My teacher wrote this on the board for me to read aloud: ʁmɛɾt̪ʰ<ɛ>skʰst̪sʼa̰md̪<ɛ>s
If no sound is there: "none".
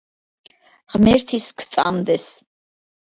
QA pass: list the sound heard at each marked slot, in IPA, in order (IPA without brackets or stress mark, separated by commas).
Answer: i, ɛ